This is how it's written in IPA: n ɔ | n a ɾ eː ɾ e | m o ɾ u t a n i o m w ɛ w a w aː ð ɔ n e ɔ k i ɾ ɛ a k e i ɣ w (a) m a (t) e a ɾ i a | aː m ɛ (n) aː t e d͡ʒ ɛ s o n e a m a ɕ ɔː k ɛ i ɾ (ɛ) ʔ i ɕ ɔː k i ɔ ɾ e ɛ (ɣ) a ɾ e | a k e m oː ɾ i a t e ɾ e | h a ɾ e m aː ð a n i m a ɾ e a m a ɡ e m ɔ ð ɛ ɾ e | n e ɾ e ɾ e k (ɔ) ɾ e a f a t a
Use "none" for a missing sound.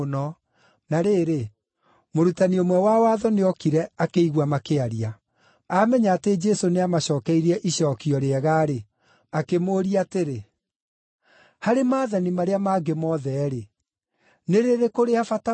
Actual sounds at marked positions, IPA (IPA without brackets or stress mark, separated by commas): a, k, ɲ, ɛ, ɣ, o